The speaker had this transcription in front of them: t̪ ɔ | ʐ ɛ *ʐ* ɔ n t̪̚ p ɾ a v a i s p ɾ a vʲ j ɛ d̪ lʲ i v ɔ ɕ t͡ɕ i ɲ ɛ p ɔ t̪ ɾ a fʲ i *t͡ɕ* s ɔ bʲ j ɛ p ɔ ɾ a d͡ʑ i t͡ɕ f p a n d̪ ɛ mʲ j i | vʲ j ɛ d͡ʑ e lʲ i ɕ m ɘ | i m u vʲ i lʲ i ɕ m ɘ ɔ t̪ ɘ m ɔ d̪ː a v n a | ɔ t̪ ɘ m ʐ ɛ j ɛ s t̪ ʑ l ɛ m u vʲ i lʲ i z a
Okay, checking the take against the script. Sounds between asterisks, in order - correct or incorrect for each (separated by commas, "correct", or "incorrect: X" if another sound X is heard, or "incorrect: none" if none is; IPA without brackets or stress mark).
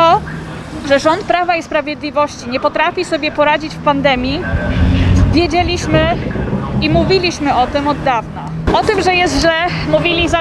correct, incorrect: none